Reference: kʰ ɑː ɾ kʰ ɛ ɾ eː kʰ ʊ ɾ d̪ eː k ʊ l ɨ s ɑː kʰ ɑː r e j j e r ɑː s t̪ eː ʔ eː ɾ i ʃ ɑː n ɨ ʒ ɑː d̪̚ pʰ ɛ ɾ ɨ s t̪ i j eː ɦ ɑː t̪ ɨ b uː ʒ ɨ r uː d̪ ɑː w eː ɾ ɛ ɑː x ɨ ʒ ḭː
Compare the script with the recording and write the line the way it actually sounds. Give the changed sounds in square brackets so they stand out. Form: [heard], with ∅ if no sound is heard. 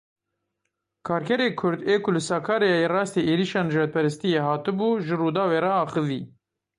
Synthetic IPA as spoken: kʰ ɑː ɾ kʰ ɛ ɾ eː kʰ ʊ ɾ d̪ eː k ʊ l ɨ s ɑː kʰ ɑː [ɾ] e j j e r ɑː s t̪ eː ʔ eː ɾ i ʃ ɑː n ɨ ʒ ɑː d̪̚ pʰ ɛ ɾ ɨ s t̪ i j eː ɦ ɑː t̪ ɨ b uː ʒ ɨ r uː d̪ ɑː w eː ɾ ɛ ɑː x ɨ [v] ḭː